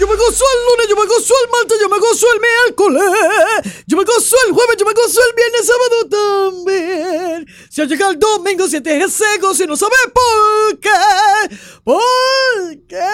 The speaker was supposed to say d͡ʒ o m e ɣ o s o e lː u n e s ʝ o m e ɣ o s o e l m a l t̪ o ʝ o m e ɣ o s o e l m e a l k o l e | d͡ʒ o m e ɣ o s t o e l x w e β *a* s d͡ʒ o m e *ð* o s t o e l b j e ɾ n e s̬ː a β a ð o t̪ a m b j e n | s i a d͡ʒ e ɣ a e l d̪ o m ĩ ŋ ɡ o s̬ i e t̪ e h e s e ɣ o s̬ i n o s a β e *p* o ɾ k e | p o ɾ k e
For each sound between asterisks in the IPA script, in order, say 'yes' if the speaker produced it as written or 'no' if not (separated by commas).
no, no, yes